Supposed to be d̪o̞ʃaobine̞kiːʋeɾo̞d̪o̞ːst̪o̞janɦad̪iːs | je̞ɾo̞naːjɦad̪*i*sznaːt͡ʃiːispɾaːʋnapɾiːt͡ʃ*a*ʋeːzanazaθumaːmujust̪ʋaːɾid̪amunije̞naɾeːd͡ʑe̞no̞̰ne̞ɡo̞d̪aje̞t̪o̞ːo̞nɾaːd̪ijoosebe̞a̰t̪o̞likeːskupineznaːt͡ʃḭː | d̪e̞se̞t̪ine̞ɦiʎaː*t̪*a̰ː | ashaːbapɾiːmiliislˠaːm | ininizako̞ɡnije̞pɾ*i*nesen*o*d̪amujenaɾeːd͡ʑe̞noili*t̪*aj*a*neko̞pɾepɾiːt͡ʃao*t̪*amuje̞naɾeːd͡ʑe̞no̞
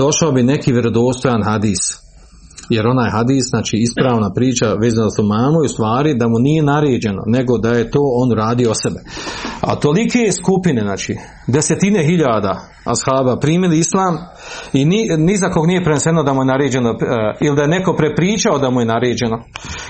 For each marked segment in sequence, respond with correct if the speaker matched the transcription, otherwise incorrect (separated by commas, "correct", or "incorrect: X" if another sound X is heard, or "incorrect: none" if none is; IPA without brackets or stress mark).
incorrect: iː, correct, incorrect: d̪, incorrect: e, correct, incorrect: d̪, incorrect: e, incorrect: d̪